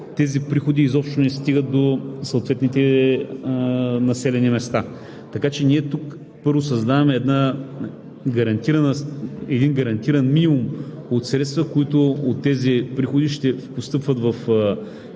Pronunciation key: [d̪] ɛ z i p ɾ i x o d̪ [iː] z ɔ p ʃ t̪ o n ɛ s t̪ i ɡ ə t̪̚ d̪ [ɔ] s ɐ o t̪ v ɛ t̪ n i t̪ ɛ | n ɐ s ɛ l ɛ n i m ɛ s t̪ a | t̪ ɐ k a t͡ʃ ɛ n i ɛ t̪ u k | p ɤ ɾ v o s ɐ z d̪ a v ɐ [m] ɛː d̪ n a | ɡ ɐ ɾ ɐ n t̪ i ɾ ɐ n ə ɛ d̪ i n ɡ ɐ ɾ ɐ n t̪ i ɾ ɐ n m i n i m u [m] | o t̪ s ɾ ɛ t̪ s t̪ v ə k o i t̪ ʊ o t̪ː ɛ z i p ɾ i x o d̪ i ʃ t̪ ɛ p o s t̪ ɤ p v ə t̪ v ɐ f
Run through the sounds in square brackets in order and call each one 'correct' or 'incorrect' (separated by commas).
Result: incorrect, correct, incorrect, correct, correct